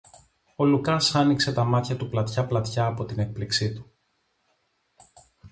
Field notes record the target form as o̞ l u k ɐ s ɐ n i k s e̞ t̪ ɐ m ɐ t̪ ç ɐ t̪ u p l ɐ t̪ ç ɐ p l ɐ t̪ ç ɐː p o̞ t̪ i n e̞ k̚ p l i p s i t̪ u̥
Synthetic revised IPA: o̞ l u k ɐ s ɐ n i k s e̞ t̪ ɐ m ɐ t̪ ç ɐ t̪ u p l ɐ t̪ ç ɐ p l ɐ t̪ ç ɐː p o̞ t̪ i n e̞ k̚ p l i k s i t̪ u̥